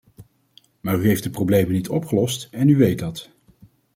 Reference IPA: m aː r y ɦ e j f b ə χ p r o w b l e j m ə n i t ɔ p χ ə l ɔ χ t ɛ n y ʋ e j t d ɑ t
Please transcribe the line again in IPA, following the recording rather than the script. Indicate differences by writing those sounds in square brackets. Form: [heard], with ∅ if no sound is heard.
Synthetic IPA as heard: m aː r y ɦ e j f [d] ə [∅] p r o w b l e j m ə n i t ɔ p χ ə l ɔ [s] t ɛ n y ʋ e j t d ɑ t